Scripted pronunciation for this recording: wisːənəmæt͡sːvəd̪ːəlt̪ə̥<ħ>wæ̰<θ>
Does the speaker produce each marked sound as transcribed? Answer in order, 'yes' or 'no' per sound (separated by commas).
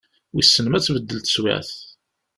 no, yes